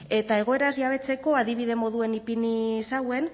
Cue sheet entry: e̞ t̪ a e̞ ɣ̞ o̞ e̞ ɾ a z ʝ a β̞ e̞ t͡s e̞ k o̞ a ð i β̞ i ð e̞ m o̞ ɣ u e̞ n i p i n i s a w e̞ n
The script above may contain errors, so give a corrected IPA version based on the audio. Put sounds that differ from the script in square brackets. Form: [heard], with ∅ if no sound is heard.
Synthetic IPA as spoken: e̞ t̪ a e̞ ɣ̞ o̞ e̞ ɾ a z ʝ a β̞ e̞ t͡s e̞ k o̞ a ð i β̞ i ð e̞ m o̞ [ð] u e̞ n i p i n i s a w e̞ n